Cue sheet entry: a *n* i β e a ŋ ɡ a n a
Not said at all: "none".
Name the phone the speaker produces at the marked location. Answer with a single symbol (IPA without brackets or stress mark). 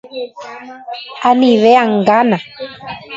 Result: n